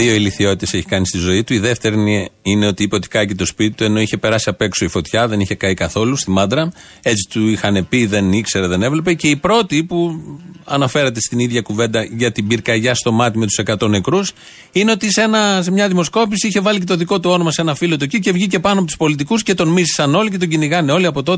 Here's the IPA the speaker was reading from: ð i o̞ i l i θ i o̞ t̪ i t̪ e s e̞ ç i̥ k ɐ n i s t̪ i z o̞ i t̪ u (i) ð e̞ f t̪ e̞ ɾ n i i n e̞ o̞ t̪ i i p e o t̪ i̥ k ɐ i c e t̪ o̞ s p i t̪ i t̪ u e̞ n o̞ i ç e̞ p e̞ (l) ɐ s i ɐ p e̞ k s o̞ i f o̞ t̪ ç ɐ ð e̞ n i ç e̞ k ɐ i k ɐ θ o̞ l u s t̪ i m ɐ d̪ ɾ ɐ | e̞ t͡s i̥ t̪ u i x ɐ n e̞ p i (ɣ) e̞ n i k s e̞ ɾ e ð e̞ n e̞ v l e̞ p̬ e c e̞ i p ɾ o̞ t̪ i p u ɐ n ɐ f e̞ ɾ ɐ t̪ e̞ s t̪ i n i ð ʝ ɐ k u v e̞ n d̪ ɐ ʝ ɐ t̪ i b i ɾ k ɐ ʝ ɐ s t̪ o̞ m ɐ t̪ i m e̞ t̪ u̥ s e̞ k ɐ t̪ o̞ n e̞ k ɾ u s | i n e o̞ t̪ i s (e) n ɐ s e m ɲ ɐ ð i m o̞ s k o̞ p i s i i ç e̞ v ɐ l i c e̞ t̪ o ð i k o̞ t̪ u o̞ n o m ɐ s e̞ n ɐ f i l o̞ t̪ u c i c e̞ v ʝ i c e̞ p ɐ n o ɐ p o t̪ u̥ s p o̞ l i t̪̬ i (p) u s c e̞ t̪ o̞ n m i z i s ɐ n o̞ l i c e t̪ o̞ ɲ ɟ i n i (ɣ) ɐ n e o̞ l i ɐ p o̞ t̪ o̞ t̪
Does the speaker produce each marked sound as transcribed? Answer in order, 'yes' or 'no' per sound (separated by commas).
yes, no, no, yes, no, yes